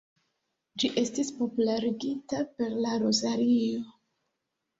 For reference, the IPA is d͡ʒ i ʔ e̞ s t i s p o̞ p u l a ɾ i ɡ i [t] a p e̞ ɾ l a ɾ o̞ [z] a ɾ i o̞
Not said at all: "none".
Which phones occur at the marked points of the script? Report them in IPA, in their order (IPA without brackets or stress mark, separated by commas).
t, z